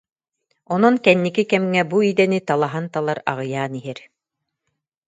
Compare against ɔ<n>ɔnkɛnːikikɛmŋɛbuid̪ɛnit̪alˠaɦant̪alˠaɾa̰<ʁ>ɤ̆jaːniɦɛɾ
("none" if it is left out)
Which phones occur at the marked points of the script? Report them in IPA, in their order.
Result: n, ʁ

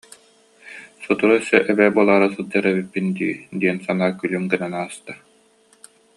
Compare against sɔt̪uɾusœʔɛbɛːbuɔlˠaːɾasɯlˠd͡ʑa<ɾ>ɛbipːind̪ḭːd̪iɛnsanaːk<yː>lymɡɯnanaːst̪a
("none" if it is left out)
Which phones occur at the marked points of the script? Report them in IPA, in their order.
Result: ɾ, y

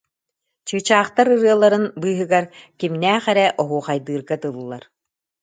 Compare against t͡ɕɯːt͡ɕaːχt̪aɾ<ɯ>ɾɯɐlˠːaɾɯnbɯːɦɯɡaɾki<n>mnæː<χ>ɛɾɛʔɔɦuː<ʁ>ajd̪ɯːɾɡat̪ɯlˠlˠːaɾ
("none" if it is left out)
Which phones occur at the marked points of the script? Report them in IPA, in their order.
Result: ɯ, none, χ, χ

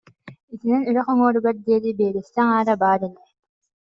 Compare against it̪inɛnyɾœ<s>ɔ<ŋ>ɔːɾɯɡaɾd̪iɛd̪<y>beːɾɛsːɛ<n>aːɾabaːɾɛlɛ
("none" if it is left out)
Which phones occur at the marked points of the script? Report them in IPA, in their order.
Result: χ, ŋ, i, ŋ

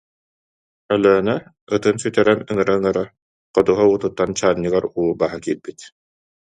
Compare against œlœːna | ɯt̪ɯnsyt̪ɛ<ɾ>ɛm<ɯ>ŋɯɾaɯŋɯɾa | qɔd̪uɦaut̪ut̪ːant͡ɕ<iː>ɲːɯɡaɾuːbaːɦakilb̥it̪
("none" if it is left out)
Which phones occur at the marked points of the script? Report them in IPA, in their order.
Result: ɾ, ɯ, aː

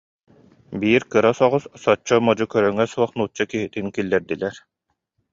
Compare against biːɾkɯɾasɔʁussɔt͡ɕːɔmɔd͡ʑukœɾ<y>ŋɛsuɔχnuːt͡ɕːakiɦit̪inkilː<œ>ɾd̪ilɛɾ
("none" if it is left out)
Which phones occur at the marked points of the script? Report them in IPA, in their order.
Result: œ, ɛ

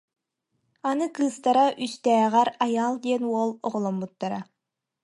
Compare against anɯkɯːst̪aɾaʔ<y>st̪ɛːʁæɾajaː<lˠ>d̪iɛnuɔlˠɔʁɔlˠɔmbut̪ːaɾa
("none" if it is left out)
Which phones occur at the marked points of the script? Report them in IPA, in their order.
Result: y, lˠ

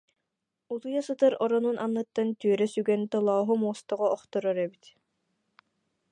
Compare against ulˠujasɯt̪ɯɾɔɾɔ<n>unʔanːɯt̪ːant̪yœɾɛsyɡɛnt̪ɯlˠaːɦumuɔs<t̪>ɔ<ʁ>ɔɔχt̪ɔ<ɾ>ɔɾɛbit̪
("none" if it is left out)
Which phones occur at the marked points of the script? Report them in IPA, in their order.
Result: n, t̪, ʁ, ɾ

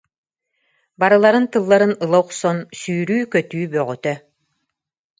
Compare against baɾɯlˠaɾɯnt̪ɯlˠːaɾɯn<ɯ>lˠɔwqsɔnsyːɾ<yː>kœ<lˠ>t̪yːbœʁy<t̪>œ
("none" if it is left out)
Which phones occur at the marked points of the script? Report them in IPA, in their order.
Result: ɯ, yː, none, t̪

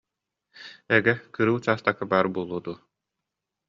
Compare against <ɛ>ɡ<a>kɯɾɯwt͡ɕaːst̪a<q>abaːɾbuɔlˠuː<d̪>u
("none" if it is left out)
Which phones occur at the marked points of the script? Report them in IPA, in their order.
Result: ɛ, ɛ, k, d̪

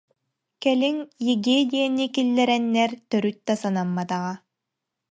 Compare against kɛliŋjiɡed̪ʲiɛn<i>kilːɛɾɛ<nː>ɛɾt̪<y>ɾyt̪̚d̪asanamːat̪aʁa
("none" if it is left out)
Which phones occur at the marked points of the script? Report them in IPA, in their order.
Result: i, nː, œ

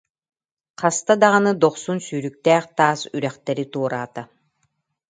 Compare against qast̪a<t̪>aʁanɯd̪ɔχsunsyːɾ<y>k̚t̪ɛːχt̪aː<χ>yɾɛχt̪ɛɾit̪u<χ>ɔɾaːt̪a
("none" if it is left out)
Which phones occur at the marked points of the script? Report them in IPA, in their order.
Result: d̪, y, s, none

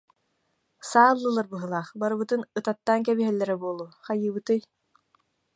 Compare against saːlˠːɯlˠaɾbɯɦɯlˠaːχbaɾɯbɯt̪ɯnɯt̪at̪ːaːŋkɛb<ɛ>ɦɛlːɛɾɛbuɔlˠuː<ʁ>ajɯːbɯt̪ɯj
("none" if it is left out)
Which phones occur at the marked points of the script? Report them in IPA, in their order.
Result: i, χ

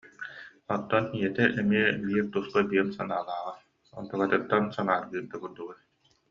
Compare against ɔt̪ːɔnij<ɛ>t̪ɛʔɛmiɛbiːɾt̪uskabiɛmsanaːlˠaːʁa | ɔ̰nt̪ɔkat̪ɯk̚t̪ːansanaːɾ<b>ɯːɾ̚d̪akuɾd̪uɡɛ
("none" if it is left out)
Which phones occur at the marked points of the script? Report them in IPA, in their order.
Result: ɛ, ɡ

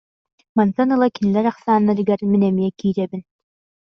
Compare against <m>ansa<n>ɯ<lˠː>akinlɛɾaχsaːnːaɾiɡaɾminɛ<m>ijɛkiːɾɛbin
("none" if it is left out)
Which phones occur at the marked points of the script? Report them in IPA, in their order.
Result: m, n, lˠ, m

